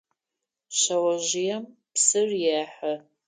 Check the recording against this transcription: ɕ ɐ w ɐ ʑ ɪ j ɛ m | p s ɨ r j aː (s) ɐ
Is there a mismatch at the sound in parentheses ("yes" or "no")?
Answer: yes